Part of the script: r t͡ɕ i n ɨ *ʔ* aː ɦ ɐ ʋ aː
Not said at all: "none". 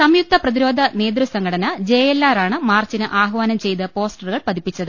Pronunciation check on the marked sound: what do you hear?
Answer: ʔ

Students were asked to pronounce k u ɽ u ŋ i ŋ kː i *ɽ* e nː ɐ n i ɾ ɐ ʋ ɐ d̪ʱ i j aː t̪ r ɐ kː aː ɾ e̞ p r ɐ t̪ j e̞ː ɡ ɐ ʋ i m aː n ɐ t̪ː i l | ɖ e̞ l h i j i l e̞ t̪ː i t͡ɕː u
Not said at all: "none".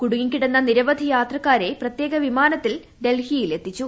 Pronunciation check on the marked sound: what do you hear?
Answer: ɽ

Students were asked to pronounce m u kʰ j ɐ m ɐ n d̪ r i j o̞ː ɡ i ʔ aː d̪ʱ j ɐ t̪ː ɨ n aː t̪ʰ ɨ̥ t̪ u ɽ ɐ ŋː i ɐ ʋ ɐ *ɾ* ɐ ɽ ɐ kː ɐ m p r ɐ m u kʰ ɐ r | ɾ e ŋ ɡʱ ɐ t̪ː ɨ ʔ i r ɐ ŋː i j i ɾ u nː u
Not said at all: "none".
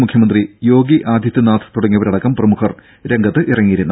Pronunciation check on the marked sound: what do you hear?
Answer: ɾ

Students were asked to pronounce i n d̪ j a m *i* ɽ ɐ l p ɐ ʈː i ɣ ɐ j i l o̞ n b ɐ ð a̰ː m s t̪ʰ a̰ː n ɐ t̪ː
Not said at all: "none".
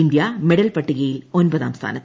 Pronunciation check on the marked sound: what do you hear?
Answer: e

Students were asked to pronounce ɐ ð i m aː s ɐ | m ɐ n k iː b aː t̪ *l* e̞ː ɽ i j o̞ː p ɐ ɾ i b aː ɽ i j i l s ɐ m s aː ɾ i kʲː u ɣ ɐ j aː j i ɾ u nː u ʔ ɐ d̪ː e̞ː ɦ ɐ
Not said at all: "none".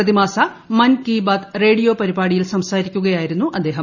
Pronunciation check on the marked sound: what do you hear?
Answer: r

